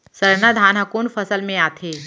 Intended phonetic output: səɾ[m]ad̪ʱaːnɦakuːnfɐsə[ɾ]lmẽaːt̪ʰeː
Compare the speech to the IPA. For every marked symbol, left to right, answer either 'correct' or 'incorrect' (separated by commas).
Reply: incorrect, incorrect